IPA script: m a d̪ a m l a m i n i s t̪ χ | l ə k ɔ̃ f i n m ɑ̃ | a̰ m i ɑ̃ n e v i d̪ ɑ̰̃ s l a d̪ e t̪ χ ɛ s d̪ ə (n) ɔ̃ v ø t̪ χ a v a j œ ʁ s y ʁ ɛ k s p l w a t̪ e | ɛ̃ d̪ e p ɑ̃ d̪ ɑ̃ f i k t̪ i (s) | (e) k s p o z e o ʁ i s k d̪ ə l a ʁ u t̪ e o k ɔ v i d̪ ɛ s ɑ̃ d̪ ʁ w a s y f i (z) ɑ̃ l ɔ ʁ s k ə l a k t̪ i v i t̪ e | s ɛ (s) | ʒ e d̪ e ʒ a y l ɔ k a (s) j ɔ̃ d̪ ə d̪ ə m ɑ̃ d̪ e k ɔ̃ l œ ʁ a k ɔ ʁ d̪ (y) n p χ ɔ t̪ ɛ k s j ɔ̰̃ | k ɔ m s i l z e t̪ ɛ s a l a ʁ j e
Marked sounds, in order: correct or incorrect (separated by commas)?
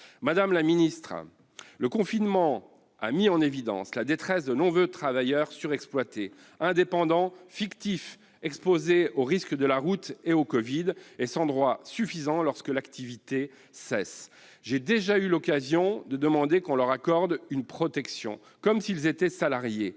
correct, incorrect, incorrect, correct, correct, incorrect, correct